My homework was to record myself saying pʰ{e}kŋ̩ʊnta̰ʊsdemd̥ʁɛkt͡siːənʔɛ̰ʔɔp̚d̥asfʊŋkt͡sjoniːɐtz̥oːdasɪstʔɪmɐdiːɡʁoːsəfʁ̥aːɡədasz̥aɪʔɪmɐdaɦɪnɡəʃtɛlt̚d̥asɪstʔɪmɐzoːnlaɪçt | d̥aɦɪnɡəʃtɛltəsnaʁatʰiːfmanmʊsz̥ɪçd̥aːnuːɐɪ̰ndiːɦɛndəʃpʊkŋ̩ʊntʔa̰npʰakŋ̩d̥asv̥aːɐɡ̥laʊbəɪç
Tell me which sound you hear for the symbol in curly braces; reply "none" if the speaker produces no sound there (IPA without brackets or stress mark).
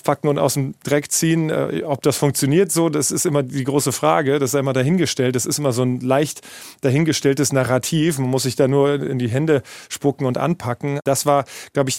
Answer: a